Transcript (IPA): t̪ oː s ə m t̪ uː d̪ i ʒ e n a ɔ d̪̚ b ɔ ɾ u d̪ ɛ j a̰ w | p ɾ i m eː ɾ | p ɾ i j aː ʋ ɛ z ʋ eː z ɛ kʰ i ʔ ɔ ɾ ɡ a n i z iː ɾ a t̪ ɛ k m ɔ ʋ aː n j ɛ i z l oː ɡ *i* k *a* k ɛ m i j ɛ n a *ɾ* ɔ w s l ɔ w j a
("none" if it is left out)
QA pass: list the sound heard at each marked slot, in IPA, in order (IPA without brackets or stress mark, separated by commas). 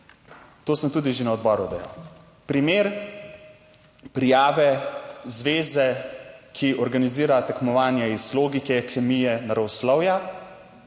i, ɛ, ɾ